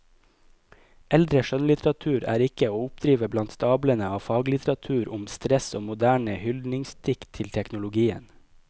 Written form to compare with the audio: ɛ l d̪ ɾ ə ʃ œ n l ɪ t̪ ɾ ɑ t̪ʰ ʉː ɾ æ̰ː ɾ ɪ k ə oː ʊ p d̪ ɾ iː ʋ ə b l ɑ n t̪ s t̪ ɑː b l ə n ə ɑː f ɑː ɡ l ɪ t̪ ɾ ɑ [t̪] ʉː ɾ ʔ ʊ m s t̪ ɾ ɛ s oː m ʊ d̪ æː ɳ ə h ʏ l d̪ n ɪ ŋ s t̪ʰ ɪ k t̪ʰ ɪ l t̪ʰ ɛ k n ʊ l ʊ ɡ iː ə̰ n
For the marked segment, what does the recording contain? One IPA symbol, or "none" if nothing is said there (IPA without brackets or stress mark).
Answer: t̪ʰ